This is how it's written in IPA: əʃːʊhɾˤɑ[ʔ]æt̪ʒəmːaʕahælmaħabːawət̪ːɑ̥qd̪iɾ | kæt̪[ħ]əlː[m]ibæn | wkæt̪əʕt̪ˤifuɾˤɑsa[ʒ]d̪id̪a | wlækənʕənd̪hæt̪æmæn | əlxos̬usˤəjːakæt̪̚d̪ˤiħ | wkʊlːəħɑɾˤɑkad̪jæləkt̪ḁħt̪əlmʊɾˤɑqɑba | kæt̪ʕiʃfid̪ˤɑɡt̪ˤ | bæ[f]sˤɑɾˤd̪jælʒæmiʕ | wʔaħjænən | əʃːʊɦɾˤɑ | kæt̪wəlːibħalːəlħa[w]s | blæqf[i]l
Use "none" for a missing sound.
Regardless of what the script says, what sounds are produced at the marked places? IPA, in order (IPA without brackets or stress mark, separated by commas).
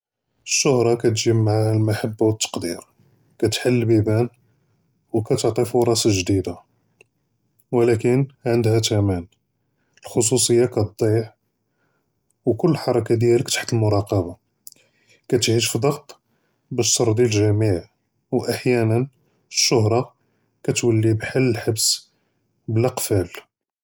k, ħ, b, ʒ, ʃ, b, æ